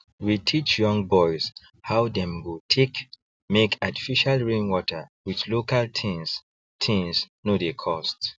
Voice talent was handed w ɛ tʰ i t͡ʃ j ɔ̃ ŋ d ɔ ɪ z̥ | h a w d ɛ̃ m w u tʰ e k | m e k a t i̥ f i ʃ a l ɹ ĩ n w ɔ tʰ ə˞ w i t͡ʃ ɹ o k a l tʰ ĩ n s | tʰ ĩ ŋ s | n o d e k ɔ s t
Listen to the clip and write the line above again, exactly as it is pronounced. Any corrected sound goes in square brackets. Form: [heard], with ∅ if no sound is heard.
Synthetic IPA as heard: w [i] tʰ i t͡ʃ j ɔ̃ ŋ [b] ɔ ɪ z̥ | h a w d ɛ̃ m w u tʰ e k | m e k a t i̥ f i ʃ a l ɹ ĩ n w ɔ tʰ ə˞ w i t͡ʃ [l] o k a l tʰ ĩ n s | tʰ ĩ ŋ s | n o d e [kʰ] ɔ s t

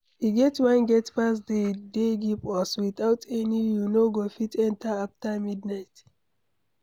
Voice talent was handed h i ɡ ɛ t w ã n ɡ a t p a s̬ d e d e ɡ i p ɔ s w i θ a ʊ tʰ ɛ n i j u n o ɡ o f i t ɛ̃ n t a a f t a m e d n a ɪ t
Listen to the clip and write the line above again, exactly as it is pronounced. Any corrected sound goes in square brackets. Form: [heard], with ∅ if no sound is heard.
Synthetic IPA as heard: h i ɡ ɛ t w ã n ɡ [ɛ] t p a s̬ d e d e ɡ i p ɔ s w i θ a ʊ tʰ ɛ n i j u n o ɡ o f i t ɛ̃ n t a a f t a m [i] d n a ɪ t

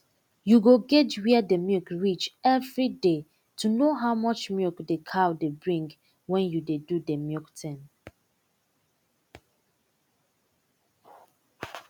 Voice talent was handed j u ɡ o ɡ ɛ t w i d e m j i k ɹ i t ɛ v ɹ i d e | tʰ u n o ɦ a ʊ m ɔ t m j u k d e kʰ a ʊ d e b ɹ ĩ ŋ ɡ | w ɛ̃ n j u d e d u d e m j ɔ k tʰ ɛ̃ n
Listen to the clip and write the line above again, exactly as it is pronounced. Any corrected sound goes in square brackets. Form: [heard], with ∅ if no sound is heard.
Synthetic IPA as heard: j u ɡ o ɡ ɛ t w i d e m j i k ɹ i [t͡ʃ] ɛ v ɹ i d e | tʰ u n o ɦ a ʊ m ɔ [t͡ʃ] m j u k d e kʰ a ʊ d e b ɹ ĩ ŋ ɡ | w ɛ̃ n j u d e d u d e m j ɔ k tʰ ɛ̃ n

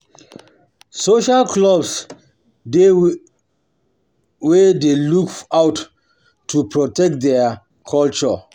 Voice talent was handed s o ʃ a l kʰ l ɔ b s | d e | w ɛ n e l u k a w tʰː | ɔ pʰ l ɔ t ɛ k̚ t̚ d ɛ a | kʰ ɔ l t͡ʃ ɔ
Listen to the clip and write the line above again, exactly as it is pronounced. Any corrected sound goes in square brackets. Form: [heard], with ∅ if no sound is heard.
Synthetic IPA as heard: s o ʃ a l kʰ l ɔ b s | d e | w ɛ [d] e l u k a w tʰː | [u] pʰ [ɹ] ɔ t ɛ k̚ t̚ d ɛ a | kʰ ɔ l t͡ʃ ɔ

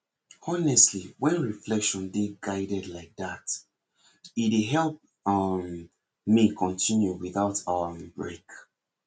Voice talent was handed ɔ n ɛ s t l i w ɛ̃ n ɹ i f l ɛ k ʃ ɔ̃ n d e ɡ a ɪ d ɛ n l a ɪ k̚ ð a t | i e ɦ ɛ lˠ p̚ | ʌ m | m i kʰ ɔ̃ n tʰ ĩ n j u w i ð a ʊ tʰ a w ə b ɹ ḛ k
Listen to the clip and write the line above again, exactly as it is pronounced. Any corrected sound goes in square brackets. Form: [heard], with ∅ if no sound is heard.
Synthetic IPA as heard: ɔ n ɛ s t l i w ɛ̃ n ɹ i f l ɛ k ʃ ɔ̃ n d e ɡ a ɪ d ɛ [d] l a ɪ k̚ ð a t | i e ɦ ɛ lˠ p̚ | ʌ m | m i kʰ ɔ̃ n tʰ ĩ n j u w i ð a ʊ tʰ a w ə b ɹ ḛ k

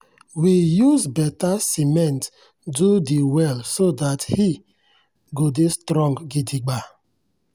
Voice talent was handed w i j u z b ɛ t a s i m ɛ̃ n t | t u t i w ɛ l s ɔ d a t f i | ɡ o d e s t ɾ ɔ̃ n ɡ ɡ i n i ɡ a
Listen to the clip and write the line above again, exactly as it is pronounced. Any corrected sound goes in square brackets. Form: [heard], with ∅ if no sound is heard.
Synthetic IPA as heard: w i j u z b ɛ t a s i m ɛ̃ n t | [d] u [d] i w ɛ l s [o] d a t [h] i | ɡ o d e s t ɾ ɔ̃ [ŋ] ɡ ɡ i [d] i [ɡ͡b] a

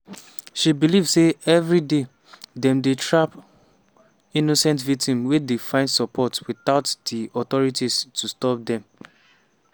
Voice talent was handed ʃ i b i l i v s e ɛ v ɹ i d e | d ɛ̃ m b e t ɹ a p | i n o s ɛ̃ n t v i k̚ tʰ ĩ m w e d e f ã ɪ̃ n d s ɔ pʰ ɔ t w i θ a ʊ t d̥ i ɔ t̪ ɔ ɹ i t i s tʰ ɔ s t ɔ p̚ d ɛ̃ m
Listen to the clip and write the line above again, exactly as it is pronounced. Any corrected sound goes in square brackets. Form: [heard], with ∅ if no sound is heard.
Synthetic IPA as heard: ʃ i b i l i v s e ɛ v ɹ i d e | d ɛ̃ m [d] e t ɹ a p | i n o s ɛ̃ n t v i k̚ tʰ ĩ m w e d e f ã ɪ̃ n d s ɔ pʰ ɔ t w i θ a ʊ t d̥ i ɔ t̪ ɔ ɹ i t i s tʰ [u] s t ɔ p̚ d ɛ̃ m

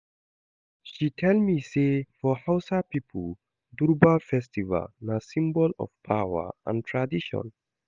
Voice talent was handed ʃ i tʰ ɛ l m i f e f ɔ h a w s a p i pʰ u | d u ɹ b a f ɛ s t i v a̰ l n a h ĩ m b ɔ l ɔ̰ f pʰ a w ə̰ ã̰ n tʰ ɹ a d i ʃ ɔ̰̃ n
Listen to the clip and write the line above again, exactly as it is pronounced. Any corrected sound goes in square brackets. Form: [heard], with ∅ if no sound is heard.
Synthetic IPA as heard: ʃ i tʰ ɛ l m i [s] e f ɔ h a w s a p i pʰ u | d u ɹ b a f ɛ s t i v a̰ l n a [s] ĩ m b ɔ l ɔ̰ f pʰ a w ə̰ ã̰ n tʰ ɹ a d i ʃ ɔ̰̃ n

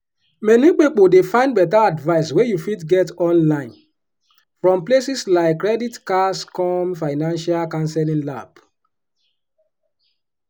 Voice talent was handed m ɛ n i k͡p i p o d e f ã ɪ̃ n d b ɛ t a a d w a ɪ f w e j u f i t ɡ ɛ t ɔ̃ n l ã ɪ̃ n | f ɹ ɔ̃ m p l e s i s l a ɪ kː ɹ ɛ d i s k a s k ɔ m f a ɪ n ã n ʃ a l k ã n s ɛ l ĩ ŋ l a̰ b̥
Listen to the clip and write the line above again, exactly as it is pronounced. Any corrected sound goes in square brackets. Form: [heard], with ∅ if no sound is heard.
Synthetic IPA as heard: m ɛ n i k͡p i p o d e f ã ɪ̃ n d b ɛ t a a d [v] a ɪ [s] w e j u f i t ɡ ɛ t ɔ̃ n l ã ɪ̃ n | f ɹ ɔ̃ m p l e s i s l a ɪ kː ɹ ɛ d i [t] k a s k ɔ m f a ɪ n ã n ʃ a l k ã n s ɛ l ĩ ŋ l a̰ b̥

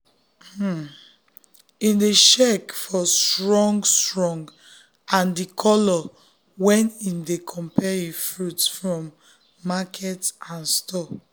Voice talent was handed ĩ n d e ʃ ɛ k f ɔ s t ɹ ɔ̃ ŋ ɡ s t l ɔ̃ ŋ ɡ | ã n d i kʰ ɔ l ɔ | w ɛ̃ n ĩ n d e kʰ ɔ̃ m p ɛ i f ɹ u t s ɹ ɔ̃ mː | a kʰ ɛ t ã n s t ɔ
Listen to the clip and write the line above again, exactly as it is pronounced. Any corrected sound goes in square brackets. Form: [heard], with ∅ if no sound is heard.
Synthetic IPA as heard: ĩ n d e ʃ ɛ k f ɔ s t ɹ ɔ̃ ŋ ɡ s t [ɹ] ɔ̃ ŋ ɡ | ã n d i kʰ ɔ l ɔ | w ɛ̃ n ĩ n d e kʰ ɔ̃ m p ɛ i f ɹ u t [f] ɹ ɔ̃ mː | a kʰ ɛ t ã n s t ɔ

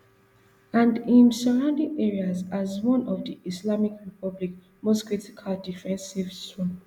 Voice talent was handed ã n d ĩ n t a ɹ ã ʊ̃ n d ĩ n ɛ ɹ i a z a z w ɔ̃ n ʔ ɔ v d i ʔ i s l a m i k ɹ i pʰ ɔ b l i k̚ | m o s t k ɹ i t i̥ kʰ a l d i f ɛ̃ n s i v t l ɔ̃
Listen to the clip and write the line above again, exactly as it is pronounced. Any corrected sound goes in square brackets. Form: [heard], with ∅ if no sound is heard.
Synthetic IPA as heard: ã n d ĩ n [s] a ɹ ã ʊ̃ n d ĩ [ŋ] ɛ ɹ i a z a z w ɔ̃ n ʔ ɔ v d i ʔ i s l a m i k ɹ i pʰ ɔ b l i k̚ | m o s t k ɹ i t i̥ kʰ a l d i f ɛ̃ n s i v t [ɹ] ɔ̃

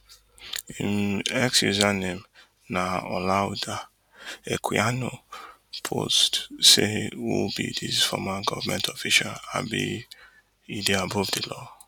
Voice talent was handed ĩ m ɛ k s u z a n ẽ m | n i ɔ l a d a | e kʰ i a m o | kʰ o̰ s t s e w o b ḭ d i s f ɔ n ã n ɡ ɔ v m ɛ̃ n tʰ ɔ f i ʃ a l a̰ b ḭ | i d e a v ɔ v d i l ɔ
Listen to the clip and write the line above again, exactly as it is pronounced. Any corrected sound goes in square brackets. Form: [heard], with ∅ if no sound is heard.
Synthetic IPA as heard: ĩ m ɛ k s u z a n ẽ m | n [a] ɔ l a d a | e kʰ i a [n] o | [pʰ] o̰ s t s e w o b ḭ d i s f ɔ [m] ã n ɡ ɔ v m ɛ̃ n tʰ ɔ f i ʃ a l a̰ b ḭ | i d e a [b] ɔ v d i l ɔ

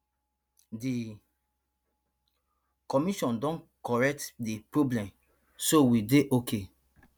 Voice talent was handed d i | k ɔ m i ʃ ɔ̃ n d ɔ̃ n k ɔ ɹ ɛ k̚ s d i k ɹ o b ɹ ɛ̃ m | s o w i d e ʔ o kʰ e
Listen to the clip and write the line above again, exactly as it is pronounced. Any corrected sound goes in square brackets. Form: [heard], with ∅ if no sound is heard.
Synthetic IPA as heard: d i | k ɔ m i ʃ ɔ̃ n d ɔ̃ n k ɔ ɹ ɛ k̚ [t] d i [p] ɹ o b [l] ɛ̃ m | s o w i d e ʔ o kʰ e

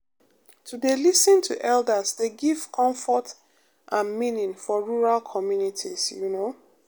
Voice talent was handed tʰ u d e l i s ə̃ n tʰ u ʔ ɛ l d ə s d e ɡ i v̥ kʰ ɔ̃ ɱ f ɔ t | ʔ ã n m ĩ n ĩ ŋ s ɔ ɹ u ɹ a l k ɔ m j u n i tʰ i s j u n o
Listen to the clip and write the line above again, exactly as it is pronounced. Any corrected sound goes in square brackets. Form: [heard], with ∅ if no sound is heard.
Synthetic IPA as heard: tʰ u d e l i s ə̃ n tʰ u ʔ ɛ l d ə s d e ɡ i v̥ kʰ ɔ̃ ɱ f ɔ t | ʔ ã n m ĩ n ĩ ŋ [f] ɔ ɹ u ɹ a l [kʰ] ɔ m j u n i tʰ i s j u n o

